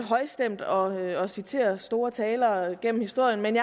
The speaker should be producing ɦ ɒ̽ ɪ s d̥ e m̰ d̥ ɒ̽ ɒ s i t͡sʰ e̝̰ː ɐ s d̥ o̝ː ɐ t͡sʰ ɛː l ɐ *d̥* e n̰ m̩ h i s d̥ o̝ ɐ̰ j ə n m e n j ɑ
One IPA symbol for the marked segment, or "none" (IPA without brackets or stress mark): ɡ̥